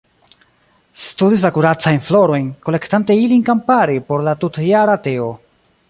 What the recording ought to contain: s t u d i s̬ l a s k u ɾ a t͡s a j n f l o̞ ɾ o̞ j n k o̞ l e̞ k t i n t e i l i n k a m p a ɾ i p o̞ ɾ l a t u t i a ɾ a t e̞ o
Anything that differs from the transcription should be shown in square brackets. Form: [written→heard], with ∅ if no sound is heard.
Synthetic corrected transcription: s t u d i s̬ l a [s→∅] k u ɾ a t͡s a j n f l o̞ ɾ o̞ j n k o̞ l e̞ k t [i→a] n t e i l i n k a m p a ɾ i p o̞ ɾ l a t u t [i→j] a ɾ a t e̞ o